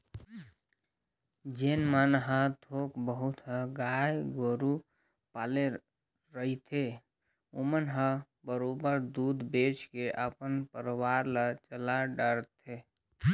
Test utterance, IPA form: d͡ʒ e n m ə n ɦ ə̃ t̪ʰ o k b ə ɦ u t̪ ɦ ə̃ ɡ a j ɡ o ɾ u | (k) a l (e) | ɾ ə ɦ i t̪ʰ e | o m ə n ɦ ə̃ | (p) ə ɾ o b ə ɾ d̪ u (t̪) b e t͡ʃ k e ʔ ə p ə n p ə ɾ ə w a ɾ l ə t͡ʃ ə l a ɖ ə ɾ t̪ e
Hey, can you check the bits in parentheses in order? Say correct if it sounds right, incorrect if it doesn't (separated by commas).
incorrect, correct, incorrect, incorrect